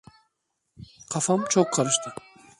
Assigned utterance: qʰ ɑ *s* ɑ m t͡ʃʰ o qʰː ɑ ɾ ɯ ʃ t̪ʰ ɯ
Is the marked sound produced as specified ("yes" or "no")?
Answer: no